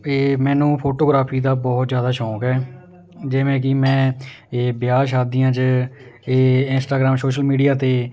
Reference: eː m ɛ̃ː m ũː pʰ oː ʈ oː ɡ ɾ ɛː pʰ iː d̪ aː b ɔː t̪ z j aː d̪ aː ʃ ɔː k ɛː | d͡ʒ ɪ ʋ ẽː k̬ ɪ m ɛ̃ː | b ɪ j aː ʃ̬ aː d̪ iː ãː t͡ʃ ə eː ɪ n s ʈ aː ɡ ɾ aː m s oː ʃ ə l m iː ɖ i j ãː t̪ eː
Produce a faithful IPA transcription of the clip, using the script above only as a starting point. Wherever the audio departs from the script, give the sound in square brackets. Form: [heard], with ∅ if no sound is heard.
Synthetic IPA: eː m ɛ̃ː [n] ũː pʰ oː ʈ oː ɡ ɾ [aː] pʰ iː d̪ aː b ɔː t̪ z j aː d̪ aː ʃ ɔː k ɛː | d͡ʒ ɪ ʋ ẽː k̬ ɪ m ɛ̃ː | b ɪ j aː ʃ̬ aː d̪ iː ãː t͡ʃ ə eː ɪ n s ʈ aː ɡ ɾ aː m s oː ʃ ə l m iː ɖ i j [aː] t̪ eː